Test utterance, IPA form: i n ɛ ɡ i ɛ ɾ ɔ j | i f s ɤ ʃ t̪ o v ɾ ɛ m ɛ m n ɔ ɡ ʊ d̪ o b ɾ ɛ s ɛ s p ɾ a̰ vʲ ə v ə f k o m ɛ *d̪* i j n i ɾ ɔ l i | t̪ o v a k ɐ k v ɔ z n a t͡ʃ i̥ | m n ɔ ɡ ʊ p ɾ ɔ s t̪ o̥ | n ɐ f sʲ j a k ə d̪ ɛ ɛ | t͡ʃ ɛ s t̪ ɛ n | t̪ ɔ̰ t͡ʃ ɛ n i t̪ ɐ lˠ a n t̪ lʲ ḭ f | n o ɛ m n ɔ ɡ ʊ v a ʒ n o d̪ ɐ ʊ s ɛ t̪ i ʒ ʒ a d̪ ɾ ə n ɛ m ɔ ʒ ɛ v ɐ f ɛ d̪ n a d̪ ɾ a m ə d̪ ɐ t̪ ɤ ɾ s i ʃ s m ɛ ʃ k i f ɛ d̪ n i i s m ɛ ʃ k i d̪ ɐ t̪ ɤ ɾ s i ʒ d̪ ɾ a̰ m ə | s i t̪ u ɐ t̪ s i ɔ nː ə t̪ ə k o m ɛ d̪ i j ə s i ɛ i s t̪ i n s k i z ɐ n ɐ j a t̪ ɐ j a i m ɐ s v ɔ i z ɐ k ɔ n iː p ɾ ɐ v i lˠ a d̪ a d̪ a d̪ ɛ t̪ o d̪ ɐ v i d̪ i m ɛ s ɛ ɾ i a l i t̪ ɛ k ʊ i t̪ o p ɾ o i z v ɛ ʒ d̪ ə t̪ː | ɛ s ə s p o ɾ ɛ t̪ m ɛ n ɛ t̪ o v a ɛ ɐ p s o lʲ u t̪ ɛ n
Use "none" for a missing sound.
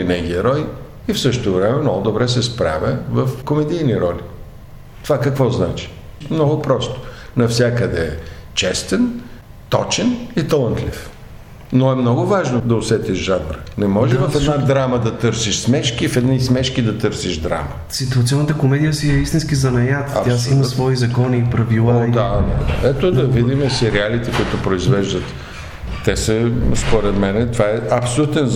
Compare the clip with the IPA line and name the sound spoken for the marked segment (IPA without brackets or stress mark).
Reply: d̪